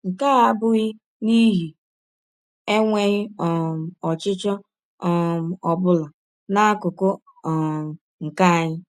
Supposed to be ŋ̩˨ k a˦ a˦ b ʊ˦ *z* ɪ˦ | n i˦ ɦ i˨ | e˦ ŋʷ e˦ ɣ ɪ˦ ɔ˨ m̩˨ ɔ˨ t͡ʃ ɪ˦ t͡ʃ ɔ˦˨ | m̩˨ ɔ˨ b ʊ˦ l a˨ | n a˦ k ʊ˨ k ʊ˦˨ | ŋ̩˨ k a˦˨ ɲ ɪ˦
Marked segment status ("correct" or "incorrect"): incorrect